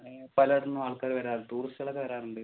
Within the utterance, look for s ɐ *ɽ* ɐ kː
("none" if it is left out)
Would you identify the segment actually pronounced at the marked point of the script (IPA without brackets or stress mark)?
ɭ